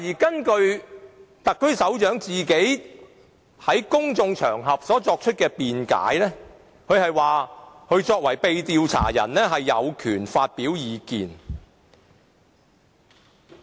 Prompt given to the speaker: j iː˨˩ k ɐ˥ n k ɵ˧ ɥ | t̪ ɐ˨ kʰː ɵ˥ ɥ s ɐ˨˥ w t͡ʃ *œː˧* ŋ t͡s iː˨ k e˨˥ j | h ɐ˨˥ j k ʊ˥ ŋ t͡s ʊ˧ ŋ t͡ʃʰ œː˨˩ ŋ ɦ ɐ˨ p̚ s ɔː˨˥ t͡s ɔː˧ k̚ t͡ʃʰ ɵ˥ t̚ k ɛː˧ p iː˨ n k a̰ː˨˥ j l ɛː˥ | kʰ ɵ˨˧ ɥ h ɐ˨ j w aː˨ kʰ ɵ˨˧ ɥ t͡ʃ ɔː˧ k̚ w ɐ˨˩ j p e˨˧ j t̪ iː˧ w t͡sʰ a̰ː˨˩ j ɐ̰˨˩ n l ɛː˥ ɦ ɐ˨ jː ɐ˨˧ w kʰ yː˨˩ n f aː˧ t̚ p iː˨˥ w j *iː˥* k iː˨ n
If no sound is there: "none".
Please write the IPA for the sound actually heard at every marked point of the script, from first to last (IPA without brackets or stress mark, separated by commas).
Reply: œː˨˥, iː˨˧